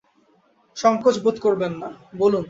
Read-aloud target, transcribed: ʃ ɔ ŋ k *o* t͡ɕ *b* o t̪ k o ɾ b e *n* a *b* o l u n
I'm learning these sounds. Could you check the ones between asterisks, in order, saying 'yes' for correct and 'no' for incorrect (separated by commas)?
yes, yes, no, yes